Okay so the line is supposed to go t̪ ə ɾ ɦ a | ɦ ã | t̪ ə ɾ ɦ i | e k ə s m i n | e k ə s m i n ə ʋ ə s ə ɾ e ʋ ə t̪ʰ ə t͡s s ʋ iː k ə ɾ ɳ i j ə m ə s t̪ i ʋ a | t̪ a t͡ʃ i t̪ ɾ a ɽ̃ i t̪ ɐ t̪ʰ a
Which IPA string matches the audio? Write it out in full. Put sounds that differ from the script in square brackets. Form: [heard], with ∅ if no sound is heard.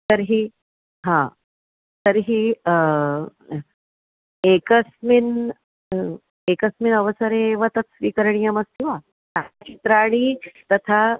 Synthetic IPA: t̪ ə ɾ ɦ [i] | ɦ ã | t̪ ə ɾ ɦ i | e k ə s m i n | e k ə s m i n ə ʋ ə s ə ɾ e ʋ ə [t̪] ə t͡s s ʋ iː k ə ɾ ɳ i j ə m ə s t̪ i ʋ a | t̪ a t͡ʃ i t̪ ɾ a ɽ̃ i t̪ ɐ t̪ʰ a